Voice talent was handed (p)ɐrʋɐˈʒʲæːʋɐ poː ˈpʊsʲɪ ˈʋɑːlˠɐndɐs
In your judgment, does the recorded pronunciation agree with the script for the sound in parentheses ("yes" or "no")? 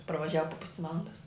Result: yes